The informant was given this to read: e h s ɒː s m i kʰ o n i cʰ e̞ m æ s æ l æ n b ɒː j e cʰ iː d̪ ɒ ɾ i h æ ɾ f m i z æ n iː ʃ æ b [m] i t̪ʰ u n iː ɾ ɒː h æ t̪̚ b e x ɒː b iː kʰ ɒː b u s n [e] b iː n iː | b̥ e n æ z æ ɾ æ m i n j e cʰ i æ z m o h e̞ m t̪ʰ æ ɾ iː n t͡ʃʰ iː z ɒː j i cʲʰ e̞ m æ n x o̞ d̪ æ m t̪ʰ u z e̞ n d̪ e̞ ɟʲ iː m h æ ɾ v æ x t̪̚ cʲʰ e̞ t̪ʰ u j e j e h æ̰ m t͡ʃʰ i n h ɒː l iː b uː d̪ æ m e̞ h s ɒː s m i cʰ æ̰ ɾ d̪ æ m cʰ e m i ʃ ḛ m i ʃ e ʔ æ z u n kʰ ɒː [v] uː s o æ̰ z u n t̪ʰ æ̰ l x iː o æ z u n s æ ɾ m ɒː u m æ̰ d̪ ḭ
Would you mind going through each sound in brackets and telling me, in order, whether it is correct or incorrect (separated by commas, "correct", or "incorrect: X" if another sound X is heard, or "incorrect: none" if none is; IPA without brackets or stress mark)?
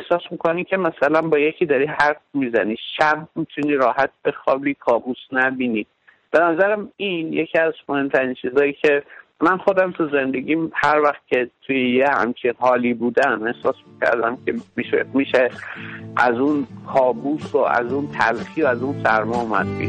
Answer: correct, incorrect: æ, incorrect: b